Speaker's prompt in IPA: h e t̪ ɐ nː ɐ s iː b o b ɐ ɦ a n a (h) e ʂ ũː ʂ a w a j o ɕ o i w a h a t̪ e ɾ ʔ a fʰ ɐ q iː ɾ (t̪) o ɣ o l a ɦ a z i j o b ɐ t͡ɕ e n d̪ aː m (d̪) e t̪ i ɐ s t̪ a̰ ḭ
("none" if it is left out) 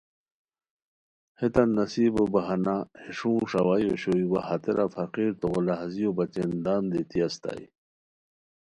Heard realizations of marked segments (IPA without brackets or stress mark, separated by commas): h, t̪, d̪